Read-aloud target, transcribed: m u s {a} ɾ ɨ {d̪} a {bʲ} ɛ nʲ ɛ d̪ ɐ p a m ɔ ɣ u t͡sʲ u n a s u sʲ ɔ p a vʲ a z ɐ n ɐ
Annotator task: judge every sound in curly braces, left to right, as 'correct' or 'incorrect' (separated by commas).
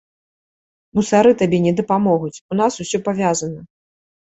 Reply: correct, incorrect, correct